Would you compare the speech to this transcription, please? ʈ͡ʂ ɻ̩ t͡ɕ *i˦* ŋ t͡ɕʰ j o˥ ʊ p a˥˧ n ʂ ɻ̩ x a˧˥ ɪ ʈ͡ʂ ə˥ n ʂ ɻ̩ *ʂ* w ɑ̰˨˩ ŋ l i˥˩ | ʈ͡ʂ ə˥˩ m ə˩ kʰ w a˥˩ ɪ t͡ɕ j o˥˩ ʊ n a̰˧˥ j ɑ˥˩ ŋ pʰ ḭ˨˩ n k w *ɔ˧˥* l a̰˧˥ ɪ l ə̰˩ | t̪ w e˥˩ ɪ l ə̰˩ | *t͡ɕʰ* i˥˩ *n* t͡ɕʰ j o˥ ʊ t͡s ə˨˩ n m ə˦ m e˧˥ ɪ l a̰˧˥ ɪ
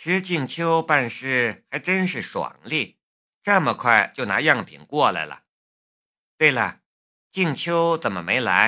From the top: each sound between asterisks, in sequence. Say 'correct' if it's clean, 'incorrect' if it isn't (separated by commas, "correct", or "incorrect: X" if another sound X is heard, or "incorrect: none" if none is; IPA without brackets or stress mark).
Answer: incorrect: i˥˩, correct, incorrect: ɔ˥˩, incorrect: t͡ɕ, incorrect: ŋ